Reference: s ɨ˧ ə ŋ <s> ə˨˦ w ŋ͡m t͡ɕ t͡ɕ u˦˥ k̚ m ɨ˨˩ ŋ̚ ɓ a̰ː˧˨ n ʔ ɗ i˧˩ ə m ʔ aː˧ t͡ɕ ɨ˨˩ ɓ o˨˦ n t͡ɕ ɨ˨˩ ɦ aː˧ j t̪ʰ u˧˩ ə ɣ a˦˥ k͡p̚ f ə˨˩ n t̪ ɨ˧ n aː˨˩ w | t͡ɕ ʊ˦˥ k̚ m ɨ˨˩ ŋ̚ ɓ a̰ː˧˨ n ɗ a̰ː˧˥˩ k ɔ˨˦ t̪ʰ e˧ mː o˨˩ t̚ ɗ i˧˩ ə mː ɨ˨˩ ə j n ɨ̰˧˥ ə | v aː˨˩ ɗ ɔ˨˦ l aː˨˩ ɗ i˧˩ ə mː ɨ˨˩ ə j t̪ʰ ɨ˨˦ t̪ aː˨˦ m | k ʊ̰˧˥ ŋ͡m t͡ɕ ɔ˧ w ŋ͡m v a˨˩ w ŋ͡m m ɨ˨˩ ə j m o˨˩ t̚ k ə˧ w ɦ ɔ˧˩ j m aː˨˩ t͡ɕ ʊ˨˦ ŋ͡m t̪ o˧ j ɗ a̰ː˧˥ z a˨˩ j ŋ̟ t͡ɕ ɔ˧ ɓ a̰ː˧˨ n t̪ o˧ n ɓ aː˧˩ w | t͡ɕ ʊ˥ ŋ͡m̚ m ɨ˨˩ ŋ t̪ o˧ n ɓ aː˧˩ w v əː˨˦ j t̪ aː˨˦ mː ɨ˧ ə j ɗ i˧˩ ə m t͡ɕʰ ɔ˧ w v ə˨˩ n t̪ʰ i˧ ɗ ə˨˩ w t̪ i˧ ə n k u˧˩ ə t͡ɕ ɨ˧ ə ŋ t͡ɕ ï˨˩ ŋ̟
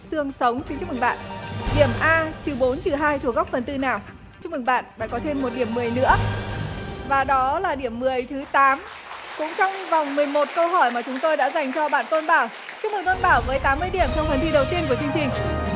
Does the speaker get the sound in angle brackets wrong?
no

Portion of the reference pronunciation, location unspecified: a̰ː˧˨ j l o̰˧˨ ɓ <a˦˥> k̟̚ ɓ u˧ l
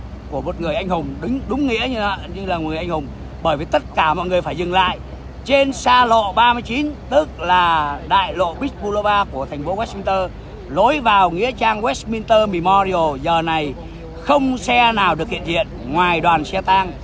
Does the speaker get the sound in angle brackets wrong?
yes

